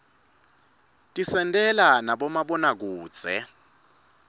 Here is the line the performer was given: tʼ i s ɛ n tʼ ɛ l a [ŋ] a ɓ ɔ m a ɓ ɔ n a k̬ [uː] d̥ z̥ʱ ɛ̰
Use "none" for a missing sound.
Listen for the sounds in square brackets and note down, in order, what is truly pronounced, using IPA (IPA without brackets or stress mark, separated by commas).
n, uː